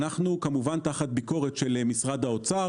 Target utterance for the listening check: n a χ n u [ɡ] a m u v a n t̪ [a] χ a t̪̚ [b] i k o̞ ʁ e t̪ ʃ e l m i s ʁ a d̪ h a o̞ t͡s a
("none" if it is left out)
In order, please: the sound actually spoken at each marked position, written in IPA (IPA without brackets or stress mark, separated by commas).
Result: k, a, b